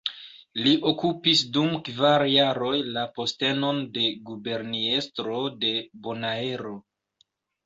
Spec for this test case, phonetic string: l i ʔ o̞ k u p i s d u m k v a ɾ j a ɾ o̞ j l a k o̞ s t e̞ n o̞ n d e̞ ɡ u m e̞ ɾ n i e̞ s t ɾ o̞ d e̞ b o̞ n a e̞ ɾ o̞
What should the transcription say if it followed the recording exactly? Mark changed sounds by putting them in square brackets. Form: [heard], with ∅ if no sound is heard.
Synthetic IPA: l i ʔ o̞ k u p i s d u m k v a ɾ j a ɾ o̞ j l a [p] o̞ s t e̞ n o̞ n d e̞ ɡ u [b] e̞ ɾ n i e̞ s t ɾ o̞ d e̞ b o̞ n a e̞ ɾ o̞

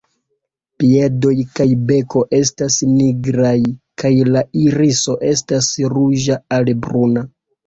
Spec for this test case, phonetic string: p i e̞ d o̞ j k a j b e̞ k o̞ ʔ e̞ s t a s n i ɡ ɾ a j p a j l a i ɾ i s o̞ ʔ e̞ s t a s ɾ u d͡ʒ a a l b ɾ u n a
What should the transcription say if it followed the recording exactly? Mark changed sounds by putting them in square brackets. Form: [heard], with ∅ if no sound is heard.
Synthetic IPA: p i e̞ d o̞ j k a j b e̞ k o̞ ʔ e̞ s t a s n i ɡ ɾ a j [k] a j l a i ɾ i s o̞ ʔ e̞ s t a s ɾ u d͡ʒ a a l b ɾ u n a

